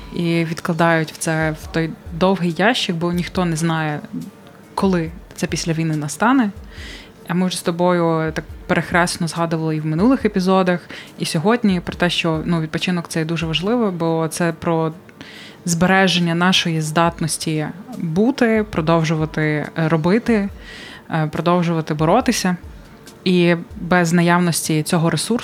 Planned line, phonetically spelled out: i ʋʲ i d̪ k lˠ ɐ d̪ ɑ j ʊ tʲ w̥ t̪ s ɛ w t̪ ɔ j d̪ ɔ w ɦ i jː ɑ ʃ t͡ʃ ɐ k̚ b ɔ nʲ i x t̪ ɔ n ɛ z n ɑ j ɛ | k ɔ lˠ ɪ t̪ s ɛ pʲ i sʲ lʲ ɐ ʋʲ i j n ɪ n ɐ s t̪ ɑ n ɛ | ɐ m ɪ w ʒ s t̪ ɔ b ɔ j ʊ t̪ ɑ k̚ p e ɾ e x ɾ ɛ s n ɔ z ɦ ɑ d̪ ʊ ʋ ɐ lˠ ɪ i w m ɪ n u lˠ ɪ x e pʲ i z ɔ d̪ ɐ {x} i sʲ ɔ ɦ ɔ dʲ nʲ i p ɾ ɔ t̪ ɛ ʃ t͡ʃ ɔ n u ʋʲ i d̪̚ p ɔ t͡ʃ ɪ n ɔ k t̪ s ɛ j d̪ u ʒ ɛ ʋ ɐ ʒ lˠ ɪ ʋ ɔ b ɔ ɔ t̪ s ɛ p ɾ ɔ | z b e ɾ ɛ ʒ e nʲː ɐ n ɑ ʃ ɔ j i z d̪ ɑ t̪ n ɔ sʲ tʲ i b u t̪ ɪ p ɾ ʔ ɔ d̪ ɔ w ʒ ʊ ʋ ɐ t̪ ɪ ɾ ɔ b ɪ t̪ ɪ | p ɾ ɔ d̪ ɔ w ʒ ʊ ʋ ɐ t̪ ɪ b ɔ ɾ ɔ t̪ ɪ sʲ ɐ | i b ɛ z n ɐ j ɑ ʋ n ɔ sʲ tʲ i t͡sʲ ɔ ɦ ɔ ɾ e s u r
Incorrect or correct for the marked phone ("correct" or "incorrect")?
correct